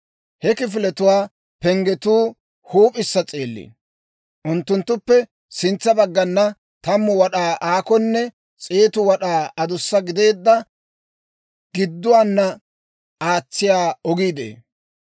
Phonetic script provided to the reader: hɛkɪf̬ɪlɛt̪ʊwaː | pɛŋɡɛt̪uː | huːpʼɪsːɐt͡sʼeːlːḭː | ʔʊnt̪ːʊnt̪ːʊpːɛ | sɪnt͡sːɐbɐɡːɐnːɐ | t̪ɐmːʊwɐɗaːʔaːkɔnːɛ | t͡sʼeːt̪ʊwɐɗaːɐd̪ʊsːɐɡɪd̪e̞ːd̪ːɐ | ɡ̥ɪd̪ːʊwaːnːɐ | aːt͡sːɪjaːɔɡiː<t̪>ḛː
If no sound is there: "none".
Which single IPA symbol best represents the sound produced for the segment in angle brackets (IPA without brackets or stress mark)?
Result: d̪